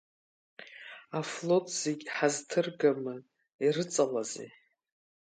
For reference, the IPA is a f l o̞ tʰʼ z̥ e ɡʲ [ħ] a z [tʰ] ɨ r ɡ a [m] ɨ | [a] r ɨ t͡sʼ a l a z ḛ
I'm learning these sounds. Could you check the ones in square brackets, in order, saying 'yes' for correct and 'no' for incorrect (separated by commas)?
yes, yes, yes, no